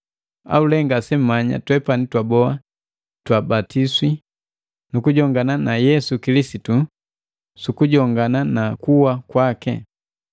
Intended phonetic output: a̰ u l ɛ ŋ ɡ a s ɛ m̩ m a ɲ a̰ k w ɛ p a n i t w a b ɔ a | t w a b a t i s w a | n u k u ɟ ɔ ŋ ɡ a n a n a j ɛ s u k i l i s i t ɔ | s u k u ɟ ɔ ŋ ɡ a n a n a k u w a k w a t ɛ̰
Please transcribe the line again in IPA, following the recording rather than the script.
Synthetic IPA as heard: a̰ u l ɛ ŋ ɡ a s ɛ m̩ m a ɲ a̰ t w ɛ p a n i t w a b ɔ a | t w a b a t i s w i | n u k u ɟ ɔ ŋ ɡ a n a n a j ɛ s u k i l i s i t u | s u k u ɟ ɔ ŋ ɡ a n a n a k u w a k w a k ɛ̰